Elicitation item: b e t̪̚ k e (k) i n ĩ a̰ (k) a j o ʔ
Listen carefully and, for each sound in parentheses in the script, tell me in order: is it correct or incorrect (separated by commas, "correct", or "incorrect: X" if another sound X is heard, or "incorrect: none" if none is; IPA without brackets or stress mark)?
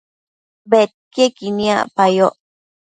correct, incorrect: p